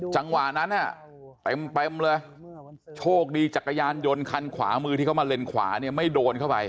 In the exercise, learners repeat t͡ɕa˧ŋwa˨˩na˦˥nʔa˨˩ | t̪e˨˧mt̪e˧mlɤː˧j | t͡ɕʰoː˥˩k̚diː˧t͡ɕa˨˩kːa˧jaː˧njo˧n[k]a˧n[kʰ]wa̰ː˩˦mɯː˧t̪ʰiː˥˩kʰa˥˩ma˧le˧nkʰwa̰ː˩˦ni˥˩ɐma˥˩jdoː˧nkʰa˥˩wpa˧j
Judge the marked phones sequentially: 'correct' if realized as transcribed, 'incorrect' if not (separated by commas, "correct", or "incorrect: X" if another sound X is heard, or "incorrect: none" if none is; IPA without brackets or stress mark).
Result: incorrect: kʰ, correct